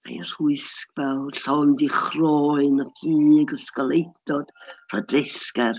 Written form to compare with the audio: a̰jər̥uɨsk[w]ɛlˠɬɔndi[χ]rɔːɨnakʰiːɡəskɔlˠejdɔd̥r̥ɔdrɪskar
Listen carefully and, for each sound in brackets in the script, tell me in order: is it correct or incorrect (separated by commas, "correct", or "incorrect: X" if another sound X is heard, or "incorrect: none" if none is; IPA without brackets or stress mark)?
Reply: incorrect: v, correct